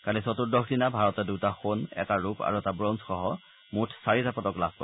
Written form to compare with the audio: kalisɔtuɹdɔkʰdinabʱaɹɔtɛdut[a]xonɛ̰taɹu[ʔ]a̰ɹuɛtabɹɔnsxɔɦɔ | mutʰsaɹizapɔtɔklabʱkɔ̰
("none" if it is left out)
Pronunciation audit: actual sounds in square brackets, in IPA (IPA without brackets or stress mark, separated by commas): a, p